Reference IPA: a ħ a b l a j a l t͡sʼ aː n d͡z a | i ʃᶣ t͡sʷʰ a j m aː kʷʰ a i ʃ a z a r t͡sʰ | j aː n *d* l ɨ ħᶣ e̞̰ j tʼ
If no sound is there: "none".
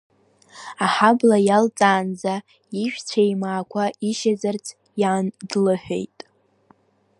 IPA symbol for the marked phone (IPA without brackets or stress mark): d